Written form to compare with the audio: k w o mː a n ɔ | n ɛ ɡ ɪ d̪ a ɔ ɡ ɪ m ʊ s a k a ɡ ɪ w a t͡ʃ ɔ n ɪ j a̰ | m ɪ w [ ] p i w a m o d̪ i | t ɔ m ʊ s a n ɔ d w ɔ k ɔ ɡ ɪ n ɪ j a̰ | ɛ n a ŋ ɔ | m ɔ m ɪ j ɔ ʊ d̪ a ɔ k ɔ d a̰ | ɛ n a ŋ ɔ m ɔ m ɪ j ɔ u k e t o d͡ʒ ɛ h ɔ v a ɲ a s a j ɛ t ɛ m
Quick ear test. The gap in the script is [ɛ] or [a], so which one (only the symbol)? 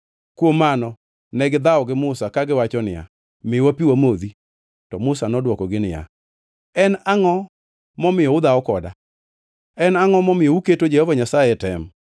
a